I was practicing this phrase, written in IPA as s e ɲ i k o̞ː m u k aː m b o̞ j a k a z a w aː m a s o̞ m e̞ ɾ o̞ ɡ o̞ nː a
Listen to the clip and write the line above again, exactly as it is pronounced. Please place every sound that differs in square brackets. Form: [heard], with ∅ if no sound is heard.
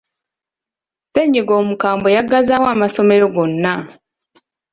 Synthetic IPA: s e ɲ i [ɡ] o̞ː m u k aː m b o̞ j a [ɡ] a z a w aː m a s o̞ m e̞ ɾ o̞ ɡ o̞ nː a